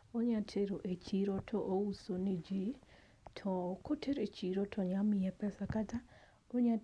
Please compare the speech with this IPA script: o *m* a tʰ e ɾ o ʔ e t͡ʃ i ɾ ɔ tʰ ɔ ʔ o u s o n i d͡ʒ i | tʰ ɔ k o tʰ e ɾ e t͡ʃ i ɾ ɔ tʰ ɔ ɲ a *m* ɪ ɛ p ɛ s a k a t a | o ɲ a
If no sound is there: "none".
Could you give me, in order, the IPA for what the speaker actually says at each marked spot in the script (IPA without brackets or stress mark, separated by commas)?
ɲ, m